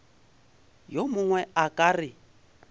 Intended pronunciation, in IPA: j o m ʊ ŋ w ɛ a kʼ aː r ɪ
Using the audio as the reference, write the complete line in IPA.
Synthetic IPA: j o m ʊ ŋ w ɛ a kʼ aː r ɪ